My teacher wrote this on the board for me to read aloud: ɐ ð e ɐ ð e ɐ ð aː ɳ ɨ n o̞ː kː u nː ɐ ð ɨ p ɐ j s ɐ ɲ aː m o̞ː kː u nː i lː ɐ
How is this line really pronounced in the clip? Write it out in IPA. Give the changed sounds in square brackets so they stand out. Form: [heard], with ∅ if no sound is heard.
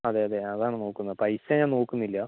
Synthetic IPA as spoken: ɐ ð e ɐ ð e ɐ ð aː ɳ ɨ n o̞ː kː u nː ɐ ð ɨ p ɐ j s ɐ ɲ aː [n] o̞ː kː u nː i lː ɐ